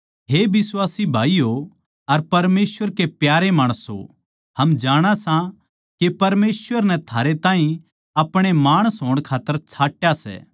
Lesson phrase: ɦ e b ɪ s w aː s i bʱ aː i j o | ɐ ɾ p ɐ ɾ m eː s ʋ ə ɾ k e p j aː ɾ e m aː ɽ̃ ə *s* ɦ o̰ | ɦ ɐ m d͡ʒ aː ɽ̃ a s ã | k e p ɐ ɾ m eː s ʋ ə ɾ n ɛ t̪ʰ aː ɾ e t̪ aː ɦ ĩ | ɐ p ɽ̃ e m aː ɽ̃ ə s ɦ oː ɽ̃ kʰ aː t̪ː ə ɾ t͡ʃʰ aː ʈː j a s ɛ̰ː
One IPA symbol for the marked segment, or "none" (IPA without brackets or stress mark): s